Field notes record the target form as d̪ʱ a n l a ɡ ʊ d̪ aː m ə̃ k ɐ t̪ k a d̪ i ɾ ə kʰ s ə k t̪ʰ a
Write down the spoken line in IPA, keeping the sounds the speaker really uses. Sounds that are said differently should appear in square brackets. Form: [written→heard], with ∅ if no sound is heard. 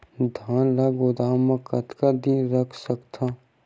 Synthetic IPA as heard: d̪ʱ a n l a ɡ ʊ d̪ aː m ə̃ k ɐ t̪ k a d̪ i ɾ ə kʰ s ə k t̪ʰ a